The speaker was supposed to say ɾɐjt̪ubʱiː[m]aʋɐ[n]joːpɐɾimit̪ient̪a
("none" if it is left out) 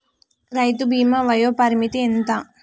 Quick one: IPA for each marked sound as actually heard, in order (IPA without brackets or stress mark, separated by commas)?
m, none